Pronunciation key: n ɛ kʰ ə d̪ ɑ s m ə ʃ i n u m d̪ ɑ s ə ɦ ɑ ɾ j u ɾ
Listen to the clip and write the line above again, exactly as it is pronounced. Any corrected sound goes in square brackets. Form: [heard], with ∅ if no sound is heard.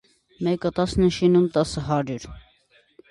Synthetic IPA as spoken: [m] ɛ [k] ə [t̪] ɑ s [n] ə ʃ i n u m [t̪] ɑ s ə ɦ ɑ ɾ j u ɾ

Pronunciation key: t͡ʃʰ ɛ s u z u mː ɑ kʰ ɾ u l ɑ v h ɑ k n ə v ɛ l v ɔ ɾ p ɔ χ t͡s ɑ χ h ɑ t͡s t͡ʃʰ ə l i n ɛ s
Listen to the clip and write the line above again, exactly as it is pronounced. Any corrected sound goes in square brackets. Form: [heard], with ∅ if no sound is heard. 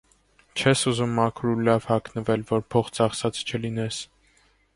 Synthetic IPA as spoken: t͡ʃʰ ɛ s u z u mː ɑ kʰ ɾ u l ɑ v h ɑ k n ə v ɛ l v ɔ ɾ [pʰ] ɔ χ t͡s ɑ χ [s] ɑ t͡s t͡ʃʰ ə l i n ɛ s

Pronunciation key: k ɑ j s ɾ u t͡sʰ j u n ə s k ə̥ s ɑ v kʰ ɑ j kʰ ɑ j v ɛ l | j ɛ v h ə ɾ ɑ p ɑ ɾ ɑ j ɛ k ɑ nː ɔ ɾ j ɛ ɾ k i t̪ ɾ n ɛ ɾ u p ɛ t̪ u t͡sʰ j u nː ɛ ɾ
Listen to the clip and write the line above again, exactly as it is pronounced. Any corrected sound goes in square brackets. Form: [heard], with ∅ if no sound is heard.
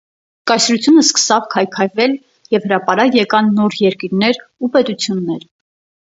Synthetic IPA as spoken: k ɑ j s ɾ u t͡sʰ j u n ə s k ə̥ s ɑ v kʰ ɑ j kʰ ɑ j v ɛ l | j ɛ v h ə ɾ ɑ p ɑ ɾ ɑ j ɛ k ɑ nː ɔ ɾ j ɛ ɾ k i [∅] ɾ n ɛ ɾ u p ɛ t̪ u t͡sʰ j u nː ɛ ɾ

